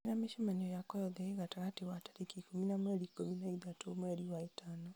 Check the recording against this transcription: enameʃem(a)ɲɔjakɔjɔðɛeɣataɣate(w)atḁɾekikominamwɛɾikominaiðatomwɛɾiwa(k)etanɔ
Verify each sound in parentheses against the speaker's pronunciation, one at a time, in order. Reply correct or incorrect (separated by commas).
correct, correct, incorrect